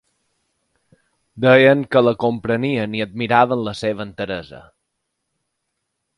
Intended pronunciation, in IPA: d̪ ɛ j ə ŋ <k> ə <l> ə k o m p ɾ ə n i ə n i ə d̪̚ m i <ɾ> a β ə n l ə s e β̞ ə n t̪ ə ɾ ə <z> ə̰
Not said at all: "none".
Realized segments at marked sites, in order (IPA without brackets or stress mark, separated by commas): k, l, ɾ, z